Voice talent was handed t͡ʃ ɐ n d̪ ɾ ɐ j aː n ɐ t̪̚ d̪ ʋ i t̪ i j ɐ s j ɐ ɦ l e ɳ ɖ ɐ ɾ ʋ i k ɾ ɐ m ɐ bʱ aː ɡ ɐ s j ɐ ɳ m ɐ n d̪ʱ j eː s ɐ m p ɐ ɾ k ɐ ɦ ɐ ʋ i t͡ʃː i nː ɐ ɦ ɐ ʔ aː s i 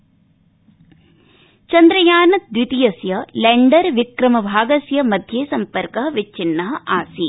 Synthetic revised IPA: t͡ʃ ɐ n d̪ ɾ ɐ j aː n ɐ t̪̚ d̪ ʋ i t̪ i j ɐ s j ɐ l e ɳ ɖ ɐ ɾ ʋ i k ɾ ɐ m ɐ bʱ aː ɡ ɐ s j ɐ m ɐ d̪ʱ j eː s ɐ m p ɐ ɾ k ɐ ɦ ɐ ʋ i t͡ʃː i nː ɐ ɦ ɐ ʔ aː s i